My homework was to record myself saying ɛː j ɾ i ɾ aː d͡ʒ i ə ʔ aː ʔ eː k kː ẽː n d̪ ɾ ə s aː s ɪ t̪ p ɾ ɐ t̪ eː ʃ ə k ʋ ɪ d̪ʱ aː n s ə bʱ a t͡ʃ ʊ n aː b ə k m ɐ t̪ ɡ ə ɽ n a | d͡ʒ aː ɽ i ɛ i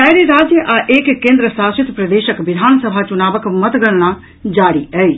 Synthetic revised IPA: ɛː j ɾ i ɾ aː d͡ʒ j ə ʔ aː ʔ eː k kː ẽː n d̪ ɾ ə s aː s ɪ t̪ p ɾ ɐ d̪ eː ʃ ə k ʋ ɪ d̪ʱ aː n s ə bʱ a t͡ʃ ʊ n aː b ə k m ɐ t̪ ɡ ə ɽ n a | d͡ʒ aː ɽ i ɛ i